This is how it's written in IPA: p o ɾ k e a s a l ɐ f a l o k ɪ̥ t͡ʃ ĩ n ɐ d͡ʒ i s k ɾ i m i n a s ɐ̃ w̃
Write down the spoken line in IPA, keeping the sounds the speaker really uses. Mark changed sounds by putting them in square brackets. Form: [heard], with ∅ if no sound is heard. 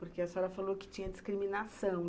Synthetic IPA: p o ɾ k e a s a [ɾ] ɐ f a l o k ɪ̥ t͡ʃ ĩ [ɲ] ɐ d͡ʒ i s k ɾ i m i n a s ɐ̃ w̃